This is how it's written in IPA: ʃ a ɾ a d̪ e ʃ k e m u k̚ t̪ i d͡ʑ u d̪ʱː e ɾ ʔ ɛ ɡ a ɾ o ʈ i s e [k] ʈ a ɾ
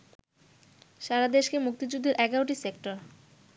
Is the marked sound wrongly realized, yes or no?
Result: no